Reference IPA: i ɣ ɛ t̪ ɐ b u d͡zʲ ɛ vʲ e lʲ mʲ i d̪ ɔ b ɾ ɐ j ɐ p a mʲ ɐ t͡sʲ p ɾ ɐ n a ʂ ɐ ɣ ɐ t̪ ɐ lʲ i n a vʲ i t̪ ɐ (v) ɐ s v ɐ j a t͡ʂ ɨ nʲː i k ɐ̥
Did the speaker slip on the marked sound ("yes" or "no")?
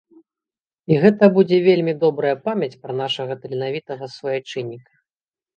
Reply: yes